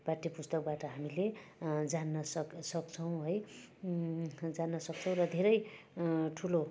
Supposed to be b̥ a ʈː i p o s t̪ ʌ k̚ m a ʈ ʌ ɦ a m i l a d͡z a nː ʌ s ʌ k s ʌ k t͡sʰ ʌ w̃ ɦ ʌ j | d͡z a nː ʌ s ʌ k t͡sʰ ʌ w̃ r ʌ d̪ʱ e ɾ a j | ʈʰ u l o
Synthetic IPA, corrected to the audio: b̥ a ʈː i p u s t̪ ʌ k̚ b a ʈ ʌ ɦ a m i l e d͡z a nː ʌ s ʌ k s ʌ k t͡sʰ ʌ w̃ ɦ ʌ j | d͡z a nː ʌ s ʌ k t͡sʰ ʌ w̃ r ʌ d̪ʱ e ɾ ʌ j | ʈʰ u l o